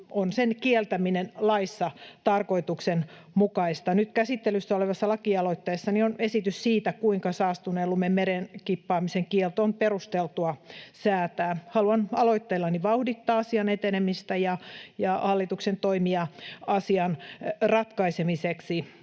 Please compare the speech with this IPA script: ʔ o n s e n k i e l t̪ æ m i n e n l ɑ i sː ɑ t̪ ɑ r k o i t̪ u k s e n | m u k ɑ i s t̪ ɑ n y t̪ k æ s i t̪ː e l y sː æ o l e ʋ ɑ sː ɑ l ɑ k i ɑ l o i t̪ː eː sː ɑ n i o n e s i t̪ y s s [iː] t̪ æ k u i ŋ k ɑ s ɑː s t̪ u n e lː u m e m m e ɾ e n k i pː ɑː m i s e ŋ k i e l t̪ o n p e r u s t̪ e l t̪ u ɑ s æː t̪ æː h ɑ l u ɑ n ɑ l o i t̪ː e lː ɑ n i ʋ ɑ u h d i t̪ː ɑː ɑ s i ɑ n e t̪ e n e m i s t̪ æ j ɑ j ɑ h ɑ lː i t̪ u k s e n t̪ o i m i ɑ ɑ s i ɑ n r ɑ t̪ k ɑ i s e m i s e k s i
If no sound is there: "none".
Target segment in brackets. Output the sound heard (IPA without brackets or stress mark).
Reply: iː